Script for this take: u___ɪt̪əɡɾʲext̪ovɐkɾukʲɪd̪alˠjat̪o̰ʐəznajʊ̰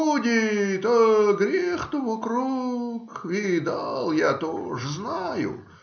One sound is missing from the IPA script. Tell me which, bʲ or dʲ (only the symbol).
dʲ